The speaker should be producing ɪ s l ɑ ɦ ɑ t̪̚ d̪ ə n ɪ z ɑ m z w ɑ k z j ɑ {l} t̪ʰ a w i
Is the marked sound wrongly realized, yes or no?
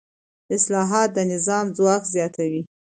yes